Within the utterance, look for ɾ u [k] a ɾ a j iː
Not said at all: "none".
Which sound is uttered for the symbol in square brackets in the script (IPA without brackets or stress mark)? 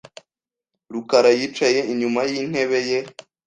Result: k